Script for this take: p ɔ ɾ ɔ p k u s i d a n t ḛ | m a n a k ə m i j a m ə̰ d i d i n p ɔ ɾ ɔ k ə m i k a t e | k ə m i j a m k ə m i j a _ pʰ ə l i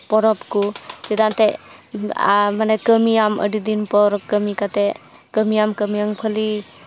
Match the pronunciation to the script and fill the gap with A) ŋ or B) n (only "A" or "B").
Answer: A